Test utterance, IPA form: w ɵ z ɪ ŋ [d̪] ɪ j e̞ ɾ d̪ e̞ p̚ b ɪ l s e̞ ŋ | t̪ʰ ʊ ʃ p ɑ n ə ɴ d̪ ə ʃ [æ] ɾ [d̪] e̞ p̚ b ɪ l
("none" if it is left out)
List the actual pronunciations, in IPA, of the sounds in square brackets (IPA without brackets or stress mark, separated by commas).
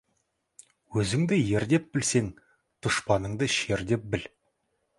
d̪, e, d̪